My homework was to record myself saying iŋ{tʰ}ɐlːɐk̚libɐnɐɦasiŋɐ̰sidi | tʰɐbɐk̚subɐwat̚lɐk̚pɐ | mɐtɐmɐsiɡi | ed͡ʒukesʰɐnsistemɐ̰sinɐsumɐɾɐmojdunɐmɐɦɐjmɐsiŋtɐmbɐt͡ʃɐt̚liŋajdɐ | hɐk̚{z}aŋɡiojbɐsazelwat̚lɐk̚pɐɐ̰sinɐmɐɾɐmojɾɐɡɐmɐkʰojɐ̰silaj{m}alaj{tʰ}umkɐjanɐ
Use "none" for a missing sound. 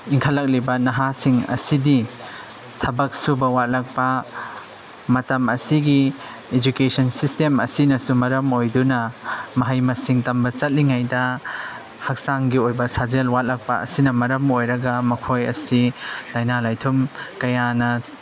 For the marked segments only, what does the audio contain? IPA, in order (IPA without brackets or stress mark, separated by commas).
kʰ, s, n, tʰ